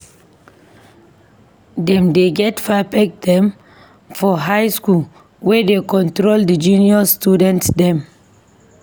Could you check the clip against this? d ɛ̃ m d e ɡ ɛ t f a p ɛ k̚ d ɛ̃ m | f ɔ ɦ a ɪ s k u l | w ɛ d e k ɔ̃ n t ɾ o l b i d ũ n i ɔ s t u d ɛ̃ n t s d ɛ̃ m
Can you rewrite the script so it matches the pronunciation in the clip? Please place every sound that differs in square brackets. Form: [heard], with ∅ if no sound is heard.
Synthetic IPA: d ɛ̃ m d e ɡ ɛ t f a p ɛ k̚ d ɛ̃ m | f ɔ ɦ a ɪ s k u l | w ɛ d e k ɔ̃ n t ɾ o l [d] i [d͡ʒ] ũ n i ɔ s t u d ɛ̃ n t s d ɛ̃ m

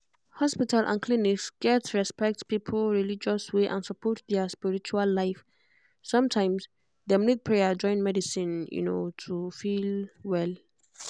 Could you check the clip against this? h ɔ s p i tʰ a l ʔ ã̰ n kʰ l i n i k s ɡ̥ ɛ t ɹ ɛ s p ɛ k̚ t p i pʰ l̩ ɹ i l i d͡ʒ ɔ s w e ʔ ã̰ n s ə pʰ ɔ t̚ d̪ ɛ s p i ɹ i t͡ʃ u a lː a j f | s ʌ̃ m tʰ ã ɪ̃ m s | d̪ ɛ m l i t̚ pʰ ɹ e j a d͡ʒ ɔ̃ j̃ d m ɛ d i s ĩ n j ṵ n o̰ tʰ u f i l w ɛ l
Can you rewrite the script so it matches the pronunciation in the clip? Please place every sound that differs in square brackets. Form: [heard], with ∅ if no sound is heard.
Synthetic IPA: h ɔ s p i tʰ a l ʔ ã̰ n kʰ l i n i k s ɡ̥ ɛ t ɹ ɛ s p ɛ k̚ t p i pʰ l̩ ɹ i l i d͡ʒ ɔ s w e ʔ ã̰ n s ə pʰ ɔ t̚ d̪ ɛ s p i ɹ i t͡ʃ u a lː a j f | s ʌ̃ m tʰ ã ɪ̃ m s | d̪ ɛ m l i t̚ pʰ ɹ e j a d͡ʒ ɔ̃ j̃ [n] m ɛ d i s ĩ n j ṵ n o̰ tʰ u f i l w ɛ l

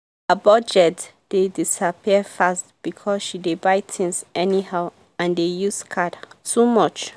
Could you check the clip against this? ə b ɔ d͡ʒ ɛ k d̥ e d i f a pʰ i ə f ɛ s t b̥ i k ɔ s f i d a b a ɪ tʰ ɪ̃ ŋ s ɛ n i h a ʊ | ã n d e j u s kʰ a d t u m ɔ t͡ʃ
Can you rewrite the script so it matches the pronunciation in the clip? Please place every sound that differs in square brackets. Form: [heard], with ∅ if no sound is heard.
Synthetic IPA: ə b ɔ d͡ʒ ɛ [t] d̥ e d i [s] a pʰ i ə f [a] s t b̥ i [kʰ] ɔ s [ʃ] i d [e] b a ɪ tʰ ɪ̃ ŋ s ɛ n i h a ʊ | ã n d e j u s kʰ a d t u m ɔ t͡ʃ

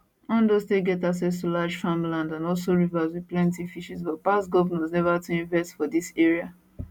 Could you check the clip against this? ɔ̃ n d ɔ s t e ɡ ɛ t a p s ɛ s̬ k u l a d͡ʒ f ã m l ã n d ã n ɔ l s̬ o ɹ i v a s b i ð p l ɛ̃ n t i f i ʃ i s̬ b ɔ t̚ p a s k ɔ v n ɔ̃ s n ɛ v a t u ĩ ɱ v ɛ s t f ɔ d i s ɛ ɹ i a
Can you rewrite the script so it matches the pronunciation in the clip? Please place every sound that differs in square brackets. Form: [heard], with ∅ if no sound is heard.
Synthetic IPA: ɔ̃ n d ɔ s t e ɡ ɛ t a [k] s ɛ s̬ [t] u l a d͡ʒ f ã m l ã n d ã n ɔ l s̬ o ɹ i v a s [w] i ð p l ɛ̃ n t i f i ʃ i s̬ b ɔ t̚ p a s [ɡ] ɔ v n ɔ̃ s n ɛ v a t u ĩ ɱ v ɛ s t f ɔ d i s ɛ ɹ i a

